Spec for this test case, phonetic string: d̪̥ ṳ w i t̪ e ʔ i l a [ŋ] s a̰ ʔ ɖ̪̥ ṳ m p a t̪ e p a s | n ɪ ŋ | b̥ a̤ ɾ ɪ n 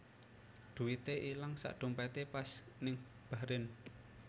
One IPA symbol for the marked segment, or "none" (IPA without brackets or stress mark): ŋ